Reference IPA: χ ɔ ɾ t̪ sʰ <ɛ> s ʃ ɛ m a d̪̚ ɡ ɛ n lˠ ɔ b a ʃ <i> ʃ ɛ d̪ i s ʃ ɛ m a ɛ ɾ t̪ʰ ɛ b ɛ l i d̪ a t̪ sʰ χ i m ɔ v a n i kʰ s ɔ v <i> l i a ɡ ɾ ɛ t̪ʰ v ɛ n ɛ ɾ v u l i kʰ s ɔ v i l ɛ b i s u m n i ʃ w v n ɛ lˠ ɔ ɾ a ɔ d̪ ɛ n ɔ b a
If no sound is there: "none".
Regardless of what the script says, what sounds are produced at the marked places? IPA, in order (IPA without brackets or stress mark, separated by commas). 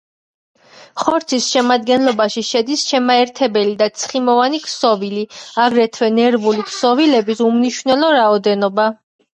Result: i, i, i